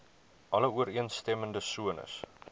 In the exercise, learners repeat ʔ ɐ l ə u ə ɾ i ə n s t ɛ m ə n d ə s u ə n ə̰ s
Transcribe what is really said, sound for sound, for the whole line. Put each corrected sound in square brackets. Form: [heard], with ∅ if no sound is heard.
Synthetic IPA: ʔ ɐ l ə u ə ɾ i ə n s t ɛ m ə n d ə s u ə n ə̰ s